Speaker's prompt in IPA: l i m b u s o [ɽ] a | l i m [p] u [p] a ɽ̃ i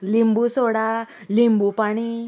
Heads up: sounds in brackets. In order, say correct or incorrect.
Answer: correct, incorrect: b, correct

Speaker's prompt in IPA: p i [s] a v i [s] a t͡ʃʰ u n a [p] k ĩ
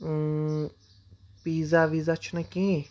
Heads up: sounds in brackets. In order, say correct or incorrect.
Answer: incorrect: z, incorrect: z, incorrect: none

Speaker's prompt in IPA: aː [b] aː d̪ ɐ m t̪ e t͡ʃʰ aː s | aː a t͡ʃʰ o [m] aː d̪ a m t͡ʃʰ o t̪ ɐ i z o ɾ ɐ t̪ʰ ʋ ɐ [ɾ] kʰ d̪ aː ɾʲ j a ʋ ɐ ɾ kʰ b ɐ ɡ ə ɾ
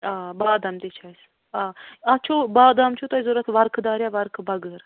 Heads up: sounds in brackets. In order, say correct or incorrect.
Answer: correct, incorrect: b, correct

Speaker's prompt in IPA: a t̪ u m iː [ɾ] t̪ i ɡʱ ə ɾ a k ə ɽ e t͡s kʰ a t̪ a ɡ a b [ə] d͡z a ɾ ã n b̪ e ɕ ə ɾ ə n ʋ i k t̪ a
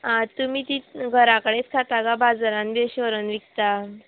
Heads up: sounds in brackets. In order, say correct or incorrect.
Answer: incorrect: none, incorrect: a

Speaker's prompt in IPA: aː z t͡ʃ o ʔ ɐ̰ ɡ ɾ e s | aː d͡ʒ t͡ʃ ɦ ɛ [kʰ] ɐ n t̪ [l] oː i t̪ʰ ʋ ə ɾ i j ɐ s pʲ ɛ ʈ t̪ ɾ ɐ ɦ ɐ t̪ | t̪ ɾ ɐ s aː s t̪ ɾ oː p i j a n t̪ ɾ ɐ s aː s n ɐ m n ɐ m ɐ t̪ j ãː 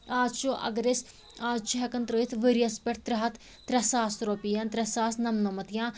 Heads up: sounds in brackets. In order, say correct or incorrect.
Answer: incorrect: k, incorrect: ɾ

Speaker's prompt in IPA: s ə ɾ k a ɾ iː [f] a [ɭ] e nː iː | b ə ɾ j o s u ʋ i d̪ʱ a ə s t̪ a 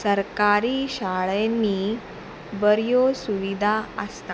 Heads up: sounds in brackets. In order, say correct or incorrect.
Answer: incorrect: ɕ, correct

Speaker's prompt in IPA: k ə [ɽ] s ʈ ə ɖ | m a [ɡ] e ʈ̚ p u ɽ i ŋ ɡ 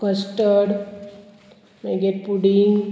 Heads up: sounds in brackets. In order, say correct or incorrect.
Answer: incorrect: none, correct

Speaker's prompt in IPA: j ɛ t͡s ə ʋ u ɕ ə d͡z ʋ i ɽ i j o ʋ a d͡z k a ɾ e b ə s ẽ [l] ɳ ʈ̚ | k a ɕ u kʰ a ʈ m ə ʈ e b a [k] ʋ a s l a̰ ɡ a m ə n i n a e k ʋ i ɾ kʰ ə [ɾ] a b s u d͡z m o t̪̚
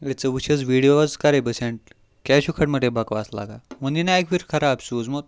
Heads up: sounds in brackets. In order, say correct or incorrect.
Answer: incorrect: none, correct, correct

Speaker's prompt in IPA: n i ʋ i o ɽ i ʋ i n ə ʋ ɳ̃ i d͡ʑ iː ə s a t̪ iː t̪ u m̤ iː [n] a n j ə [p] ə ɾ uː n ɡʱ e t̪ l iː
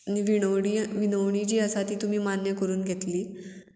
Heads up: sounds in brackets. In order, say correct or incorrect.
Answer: incorrect: m, incorrect: k

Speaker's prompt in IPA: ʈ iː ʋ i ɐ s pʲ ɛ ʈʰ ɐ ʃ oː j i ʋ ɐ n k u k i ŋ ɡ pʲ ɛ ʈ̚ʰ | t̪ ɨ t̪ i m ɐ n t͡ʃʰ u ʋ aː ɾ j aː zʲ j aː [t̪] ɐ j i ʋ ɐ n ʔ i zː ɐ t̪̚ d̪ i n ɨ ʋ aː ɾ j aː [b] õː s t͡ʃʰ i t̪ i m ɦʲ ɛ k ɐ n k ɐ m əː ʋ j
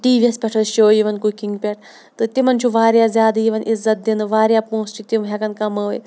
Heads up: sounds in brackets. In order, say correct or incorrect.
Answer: incorrect: d̪, incorrect: p

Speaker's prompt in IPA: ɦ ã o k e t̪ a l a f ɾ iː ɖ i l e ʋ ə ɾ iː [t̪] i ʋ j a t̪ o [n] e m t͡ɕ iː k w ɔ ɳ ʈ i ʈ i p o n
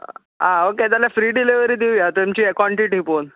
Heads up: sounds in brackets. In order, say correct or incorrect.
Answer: incorrect: d̪, incorrect: none

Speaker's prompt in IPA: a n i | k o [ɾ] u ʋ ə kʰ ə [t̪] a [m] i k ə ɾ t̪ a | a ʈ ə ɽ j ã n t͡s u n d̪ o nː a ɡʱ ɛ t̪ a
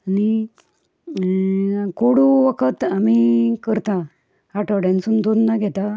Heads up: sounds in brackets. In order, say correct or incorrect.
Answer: incorrect: ɽ, correct, correct

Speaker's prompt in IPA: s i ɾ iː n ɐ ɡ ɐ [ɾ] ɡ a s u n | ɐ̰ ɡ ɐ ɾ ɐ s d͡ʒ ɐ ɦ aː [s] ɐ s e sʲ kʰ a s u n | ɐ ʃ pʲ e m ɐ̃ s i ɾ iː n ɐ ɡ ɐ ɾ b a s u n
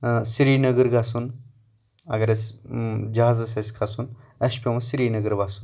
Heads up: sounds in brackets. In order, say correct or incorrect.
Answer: correct, incorrect: z

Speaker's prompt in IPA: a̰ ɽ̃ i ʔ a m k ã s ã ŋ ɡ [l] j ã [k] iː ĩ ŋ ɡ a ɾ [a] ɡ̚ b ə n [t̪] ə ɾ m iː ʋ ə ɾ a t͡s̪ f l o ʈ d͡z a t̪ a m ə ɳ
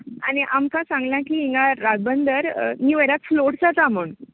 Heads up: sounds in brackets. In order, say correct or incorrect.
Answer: correct, correct, correct, incorrect: d̪

